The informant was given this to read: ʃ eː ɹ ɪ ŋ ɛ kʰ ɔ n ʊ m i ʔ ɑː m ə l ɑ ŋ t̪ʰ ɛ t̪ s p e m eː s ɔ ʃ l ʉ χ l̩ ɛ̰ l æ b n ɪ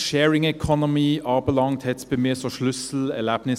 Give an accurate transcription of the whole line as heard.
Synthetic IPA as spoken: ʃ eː ɹ ɪ ŋ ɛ kʰ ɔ n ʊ m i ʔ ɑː b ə l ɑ ŋ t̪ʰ ɛ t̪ s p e m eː s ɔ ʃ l ʉ s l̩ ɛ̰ l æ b n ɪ

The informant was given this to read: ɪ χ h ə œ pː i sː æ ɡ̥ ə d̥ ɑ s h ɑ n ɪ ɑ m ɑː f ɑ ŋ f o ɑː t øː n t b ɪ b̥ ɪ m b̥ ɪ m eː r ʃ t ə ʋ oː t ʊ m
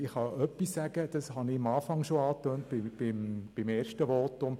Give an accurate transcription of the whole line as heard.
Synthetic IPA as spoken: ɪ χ h ɑ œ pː i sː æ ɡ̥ ə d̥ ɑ s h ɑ n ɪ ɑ m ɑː f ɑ ŋ ʃ o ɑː t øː n t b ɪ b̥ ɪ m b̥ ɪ m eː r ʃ t ə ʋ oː t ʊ m

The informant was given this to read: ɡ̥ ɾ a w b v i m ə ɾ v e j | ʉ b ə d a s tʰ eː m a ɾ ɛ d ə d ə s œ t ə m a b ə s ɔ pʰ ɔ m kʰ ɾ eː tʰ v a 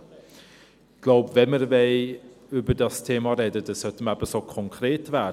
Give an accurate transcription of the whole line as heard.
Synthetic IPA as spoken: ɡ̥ l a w b v ɛ m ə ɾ v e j | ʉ b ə d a s tʰ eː m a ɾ ɛ d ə d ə s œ t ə m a b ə s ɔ kʰ ɔ ŋ kʰ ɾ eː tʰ v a

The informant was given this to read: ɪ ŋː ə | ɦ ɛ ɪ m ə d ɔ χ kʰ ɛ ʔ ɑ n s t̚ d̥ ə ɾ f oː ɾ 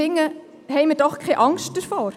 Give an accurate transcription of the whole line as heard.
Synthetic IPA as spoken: ɪ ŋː ə | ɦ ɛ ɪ m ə d ɔ χ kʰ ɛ ʔ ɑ ŋ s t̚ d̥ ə ɾ f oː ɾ

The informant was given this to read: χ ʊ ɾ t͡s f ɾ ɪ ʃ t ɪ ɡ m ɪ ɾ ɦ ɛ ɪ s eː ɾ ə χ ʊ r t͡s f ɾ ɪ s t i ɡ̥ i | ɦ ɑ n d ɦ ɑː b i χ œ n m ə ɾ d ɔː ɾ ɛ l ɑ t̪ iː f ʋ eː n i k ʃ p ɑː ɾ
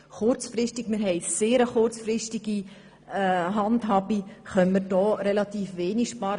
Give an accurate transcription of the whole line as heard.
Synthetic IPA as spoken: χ ʊ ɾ t͡s f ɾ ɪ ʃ t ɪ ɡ m ɪ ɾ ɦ ɛ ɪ s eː ɾ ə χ ʊ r t͡s f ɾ ɪ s t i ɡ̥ i | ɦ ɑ n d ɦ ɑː b i χ œ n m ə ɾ d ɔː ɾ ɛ l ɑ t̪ iː f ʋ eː n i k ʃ p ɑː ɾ

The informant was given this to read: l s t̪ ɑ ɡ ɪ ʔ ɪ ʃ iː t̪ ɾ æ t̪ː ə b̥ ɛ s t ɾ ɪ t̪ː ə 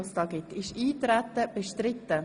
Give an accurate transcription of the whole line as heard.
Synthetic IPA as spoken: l s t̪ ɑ ɡ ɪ t ɪ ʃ iː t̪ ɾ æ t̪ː ə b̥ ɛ ʃ t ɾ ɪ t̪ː ə

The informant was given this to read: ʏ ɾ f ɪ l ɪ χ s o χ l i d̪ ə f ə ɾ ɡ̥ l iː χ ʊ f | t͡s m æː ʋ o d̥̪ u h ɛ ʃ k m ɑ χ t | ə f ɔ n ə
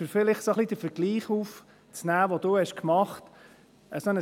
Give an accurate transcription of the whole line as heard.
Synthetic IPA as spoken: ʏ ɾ f ɪ l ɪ χ s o χ l i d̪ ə f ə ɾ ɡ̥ l iː χ u f | t͡s n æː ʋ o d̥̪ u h ɛ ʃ k m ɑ χ t | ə s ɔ n ə

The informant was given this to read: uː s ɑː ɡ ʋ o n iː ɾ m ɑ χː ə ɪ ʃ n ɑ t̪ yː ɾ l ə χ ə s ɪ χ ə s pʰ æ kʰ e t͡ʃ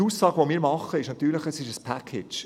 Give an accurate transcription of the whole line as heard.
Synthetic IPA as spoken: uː s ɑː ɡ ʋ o m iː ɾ m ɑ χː ə ɪ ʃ n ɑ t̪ yː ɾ l ə χ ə s ɪ ʃ ə s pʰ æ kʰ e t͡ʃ

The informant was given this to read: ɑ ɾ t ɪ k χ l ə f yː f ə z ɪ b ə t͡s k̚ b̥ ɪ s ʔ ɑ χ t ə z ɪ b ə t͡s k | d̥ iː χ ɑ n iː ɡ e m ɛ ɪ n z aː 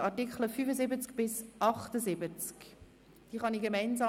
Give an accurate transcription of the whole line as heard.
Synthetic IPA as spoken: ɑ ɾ t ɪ k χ l ə f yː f ə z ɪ b ə t͡s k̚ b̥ ɪ s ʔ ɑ χ t ə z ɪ b ə t͡s k | d̥ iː χ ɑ n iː ɡ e m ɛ ɪ n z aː

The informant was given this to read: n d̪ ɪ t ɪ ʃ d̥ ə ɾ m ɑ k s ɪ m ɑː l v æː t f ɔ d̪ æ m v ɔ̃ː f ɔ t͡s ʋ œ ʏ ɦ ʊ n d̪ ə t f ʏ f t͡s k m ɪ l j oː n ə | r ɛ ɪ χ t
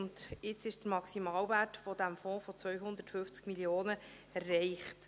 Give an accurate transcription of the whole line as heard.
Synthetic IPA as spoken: n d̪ ɪ t͡s ɪ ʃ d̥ ə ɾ m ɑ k s i m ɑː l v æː t f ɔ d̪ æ m f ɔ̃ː f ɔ t͡s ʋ œ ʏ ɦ ʊ n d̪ ə t f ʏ f t͡s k m i l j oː n ə | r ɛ ɪ χ t

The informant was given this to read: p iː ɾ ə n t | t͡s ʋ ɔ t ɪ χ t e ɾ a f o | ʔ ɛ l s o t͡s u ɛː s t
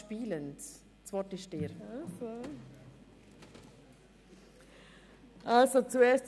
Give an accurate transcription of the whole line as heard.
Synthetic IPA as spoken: p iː l ə n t | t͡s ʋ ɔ t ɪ ʃ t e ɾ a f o | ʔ a l s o t͡s u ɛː s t

